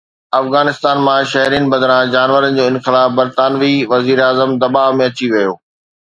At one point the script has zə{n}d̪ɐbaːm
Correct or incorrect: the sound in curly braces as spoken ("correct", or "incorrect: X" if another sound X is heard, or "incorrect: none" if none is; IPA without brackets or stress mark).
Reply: incorrect: m